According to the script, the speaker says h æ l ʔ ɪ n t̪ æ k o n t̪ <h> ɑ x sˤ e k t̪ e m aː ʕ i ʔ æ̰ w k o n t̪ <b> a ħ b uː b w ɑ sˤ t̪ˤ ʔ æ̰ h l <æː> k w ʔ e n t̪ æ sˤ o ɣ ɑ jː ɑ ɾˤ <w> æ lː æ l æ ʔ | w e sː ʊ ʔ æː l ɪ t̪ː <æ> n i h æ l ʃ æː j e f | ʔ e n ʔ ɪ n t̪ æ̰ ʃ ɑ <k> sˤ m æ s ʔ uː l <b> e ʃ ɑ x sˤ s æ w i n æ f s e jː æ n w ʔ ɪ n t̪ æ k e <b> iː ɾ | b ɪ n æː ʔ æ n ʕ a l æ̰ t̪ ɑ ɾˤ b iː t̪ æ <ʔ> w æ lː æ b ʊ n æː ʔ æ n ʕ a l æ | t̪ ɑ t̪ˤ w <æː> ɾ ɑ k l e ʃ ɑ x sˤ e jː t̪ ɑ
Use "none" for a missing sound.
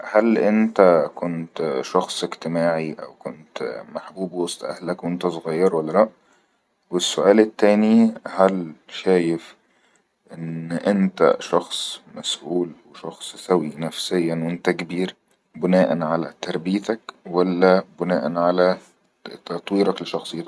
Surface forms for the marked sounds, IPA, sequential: ʃ, m, æ, w, æː, x, w, b, k, iː

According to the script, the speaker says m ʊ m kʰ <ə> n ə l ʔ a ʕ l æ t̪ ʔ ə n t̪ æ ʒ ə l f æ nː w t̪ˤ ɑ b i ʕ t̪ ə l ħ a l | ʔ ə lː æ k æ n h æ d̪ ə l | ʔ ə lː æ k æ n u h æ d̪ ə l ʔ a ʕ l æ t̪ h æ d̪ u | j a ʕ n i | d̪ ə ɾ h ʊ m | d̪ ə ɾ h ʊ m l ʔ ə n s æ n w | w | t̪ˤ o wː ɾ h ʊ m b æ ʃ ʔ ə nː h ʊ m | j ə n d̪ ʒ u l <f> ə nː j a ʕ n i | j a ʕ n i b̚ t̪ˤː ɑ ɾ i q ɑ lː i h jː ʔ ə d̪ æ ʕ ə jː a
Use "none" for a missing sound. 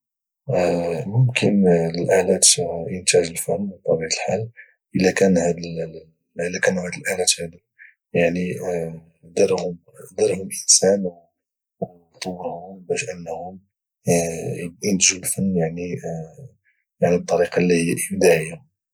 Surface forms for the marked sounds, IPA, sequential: ə, f

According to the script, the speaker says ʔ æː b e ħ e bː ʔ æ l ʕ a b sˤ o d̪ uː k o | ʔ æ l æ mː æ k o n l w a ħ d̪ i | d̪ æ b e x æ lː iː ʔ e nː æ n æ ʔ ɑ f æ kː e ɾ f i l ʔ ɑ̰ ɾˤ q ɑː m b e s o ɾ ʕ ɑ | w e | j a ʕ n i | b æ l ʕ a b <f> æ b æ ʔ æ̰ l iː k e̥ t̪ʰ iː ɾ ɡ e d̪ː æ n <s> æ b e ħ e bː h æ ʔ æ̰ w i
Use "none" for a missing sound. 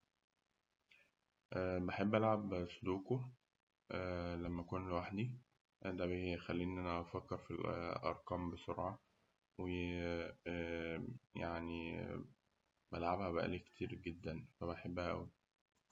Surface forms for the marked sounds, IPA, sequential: h, f

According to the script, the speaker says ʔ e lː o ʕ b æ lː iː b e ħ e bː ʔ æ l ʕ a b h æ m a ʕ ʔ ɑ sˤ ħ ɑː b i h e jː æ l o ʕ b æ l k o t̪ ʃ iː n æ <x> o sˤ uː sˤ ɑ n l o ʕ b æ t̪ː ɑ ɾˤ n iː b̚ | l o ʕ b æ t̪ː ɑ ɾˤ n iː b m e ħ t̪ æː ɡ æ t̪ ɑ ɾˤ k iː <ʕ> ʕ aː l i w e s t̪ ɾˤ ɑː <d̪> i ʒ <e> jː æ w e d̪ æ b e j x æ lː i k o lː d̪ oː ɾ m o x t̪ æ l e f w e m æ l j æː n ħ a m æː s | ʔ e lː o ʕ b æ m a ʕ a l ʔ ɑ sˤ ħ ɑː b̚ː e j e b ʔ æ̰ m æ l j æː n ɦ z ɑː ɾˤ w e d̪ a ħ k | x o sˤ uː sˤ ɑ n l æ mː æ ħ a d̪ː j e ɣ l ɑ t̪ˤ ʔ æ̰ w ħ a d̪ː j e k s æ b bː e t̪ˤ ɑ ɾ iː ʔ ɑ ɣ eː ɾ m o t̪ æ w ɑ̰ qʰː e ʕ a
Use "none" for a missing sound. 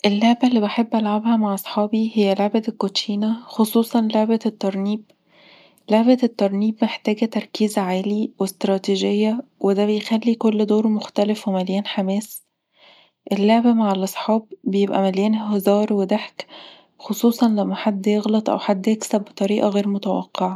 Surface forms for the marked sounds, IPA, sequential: x, z, t̪, e

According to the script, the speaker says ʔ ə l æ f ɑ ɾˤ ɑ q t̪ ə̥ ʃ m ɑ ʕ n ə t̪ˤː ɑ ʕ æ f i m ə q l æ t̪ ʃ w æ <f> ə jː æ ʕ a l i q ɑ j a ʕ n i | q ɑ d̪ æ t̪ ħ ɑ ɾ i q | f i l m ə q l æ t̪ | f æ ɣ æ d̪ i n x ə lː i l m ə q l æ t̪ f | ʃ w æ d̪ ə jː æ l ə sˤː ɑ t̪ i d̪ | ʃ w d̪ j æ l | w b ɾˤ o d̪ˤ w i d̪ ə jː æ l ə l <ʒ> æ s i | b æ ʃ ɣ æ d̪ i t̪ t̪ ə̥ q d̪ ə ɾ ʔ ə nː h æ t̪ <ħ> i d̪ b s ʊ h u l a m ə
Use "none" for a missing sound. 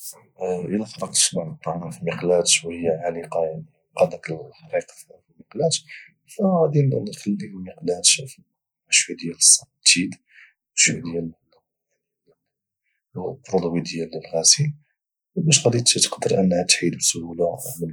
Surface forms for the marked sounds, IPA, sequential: h, ɣ, ħ

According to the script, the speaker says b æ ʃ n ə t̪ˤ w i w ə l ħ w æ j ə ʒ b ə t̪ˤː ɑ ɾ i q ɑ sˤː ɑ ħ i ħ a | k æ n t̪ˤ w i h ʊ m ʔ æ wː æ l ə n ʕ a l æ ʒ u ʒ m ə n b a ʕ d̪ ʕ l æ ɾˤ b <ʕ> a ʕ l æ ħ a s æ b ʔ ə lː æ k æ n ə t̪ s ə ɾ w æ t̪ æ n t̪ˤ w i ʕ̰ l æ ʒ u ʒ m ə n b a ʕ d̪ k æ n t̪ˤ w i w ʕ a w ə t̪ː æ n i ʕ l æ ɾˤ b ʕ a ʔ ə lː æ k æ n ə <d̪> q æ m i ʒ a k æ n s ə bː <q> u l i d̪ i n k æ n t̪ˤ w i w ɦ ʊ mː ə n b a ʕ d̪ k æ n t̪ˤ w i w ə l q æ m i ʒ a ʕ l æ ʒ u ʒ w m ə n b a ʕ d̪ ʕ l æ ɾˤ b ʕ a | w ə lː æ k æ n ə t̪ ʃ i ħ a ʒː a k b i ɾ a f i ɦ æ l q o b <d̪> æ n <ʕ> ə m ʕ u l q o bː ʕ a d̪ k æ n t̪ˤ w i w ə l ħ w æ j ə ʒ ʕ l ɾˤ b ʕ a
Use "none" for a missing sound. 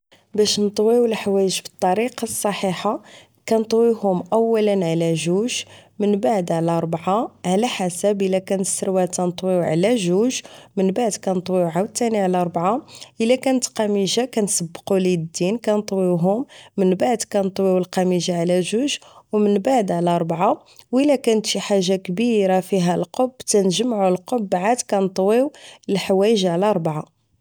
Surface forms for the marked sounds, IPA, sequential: ʕ, t̪, q, t̪, ʒ

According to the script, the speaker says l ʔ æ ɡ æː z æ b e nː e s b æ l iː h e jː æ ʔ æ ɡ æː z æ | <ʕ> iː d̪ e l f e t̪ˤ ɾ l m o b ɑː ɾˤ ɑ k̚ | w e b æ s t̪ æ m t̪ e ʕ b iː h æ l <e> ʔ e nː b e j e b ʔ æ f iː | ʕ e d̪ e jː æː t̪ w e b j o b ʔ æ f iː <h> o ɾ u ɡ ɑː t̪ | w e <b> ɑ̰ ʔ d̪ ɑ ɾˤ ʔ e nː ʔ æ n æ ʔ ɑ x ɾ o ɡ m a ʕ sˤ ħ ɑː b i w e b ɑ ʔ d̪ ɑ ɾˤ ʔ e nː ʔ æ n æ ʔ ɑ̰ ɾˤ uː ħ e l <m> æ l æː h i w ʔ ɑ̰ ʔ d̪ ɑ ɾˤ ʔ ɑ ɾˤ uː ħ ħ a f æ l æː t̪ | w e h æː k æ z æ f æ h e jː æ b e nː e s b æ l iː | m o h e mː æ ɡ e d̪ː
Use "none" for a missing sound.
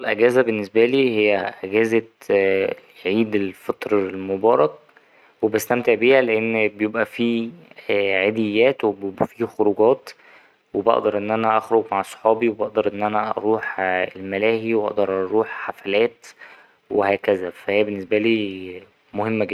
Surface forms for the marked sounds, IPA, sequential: ʕ, e, x, b, m

